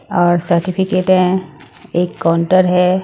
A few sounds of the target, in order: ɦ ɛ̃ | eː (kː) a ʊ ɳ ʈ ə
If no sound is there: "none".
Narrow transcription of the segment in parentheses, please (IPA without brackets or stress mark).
kː